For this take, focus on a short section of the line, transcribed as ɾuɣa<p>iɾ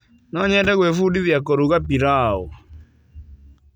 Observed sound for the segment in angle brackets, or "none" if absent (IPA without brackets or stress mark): p